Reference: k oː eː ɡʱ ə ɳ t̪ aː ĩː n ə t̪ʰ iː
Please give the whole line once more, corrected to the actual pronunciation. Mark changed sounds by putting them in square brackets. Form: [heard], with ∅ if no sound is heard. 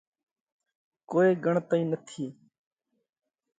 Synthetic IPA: k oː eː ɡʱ ə ɳ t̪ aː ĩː n ə t̪ʰ iː